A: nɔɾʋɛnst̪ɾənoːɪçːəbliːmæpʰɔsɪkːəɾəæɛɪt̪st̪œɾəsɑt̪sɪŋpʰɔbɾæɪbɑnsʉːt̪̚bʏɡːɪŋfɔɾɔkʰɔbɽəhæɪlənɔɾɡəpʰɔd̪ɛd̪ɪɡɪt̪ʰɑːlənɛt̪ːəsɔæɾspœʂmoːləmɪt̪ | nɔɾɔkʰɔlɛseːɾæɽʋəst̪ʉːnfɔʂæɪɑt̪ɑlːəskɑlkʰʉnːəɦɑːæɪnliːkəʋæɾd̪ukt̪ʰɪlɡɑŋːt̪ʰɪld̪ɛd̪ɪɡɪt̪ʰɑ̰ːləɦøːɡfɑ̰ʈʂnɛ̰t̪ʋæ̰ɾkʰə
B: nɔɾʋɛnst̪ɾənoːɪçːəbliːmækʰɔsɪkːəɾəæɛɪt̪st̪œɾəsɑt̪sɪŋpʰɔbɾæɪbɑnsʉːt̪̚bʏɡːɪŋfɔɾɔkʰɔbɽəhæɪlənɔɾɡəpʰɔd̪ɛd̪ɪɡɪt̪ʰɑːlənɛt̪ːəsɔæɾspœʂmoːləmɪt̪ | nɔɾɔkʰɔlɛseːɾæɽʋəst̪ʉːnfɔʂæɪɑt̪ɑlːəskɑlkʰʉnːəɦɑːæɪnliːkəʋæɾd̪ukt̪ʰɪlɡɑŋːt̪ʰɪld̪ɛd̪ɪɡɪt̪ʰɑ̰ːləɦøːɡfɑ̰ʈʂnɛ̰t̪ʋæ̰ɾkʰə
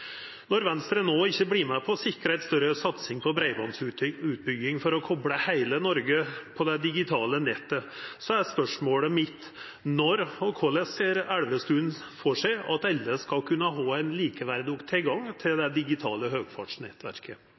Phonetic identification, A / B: A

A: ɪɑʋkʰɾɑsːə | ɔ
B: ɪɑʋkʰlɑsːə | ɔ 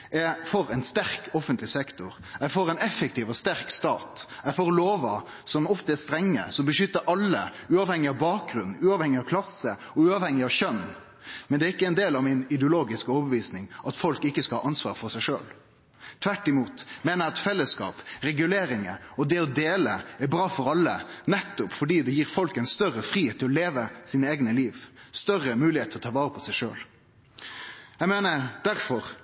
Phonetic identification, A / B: B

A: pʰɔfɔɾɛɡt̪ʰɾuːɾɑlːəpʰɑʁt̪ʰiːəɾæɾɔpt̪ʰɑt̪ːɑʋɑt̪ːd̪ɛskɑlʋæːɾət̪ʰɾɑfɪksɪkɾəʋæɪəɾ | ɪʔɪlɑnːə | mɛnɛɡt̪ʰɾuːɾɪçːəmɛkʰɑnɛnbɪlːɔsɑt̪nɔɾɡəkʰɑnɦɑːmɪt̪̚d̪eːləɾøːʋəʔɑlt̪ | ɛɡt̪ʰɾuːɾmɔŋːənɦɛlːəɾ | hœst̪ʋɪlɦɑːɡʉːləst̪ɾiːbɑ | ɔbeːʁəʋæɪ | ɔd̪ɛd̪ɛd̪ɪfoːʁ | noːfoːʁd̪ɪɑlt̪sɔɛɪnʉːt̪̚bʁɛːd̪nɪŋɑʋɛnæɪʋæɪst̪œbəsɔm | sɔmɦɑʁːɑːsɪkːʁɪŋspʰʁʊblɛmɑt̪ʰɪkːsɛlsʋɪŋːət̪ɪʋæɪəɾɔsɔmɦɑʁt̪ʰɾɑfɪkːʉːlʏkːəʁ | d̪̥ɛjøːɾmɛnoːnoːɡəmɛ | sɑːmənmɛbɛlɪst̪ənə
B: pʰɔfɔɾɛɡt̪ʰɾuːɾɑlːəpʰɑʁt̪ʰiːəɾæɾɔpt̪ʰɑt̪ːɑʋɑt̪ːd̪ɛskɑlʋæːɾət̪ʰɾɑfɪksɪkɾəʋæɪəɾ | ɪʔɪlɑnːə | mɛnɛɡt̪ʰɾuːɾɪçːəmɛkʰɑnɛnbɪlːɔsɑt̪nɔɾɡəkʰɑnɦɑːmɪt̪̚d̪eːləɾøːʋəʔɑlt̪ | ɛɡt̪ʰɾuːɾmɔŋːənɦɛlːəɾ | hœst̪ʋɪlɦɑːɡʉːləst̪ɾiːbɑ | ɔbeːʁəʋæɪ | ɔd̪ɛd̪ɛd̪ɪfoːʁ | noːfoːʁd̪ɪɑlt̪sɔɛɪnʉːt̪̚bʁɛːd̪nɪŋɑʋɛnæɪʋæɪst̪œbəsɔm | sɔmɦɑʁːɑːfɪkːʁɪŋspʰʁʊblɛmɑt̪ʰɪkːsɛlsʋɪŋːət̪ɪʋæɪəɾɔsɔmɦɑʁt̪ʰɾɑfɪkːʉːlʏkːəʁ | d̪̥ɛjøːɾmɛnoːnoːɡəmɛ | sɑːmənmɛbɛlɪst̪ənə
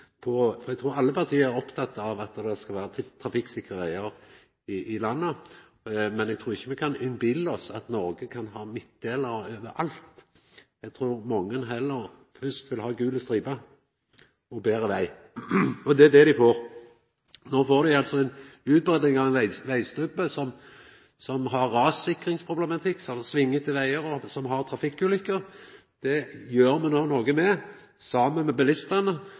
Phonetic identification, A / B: A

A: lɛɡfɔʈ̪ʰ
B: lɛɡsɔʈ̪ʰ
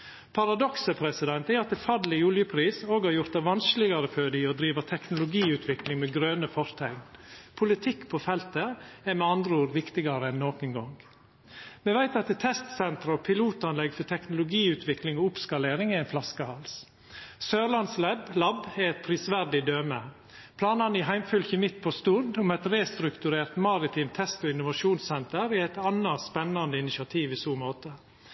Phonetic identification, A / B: A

